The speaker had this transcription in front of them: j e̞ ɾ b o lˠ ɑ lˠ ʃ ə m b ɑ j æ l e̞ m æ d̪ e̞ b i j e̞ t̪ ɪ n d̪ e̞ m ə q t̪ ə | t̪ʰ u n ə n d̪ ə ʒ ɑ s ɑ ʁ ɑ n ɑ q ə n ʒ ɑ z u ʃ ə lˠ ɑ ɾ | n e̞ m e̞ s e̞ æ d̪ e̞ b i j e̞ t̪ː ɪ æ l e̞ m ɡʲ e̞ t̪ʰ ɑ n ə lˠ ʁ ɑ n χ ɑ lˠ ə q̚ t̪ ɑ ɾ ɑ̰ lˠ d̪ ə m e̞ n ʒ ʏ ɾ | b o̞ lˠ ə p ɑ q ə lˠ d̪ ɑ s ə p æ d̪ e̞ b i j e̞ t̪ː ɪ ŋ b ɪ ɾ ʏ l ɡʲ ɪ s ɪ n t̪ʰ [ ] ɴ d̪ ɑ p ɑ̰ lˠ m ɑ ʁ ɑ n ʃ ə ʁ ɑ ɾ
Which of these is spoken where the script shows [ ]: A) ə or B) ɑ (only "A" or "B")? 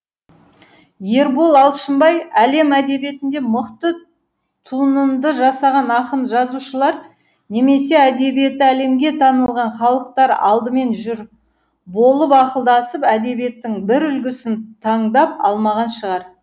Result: B